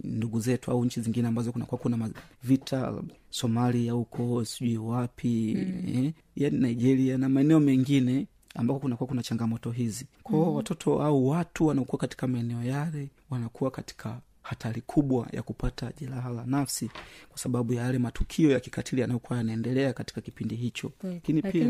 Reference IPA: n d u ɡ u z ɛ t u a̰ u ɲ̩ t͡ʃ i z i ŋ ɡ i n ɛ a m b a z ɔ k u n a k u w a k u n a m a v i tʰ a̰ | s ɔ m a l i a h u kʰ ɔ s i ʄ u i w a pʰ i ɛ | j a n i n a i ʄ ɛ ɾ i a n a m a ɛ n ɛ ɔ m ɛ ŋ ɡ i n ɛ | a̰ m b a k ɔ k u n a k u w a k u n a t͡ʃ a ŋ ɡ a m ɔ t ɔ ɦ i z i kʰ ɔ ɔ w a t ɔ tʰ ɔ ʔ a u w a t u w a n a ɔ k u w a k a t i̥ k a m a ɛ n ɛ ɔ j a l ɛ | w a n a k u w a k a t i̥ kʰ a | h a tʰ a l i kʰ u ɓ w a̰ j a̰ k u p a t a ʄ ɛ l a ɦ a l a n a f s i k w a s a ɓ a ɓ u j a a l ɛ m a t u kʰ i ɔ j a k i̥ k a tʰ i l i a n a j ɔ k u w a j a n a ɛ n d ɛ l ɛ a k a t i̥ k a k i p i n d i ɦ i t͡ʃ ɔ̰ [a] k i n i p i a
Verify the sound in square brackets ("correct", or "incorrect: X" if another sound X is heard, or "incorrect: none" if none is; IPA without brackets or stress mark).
correct